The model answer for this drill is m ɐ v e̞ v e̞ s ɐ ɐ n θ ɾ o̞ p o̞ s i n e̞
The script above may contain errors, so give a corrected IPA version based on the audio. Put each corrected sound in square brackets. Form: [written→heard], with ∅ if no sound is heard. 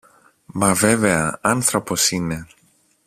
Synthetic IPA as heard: m ɐ v e̞ v e̞ [s→∅] ɐ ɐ n θ ɾ o̞ p o̞ s i n e̞